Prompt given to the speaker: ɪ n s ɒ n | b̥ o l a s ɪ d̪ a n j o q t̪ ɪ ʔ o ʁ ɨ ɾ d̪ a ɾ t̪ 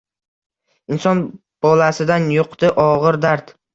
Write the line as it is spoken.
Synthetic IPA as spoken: ɪ n s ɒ n | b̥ ɒ l a s ɪ d̪ a n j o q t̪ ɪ ʔ ɒ ʁ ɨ ɾ d̪ a ɾ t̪